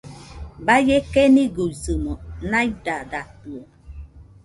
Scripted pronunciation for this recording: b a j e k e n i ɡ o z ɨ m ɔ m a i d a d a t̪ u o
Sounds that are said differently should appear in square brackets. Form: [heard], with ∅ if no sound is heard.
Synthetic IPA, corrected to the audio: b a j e k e n i ɡ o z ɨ m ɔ [n] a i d a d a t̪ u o